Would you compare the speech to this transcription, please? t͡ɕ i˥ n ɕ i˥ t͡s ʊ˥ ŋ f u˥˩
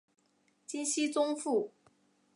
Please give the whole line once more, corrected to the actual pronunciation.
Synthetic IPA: t͡ɕ i˥ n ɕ i˥ t͡s ʊ˥ ŋ f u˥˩